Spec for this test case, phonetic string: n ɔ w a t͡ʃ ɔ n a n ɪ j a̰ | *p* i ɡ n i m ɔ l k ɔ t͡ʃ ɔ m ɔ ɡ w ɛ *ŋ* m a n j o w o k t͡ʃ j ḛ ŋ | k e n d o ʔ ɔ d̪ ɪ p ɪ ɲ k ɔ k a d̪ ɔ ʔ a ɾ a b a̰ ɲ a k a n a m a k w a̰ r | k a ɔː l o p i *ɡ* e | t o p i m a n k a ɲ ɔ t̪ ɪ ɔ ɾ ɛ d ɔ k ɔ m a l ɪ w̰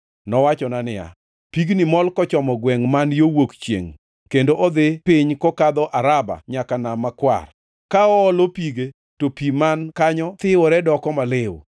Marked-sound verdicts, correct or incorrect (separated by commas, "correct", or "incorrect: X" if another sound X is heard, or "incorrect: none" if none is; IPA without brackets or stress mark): correct, correct, correct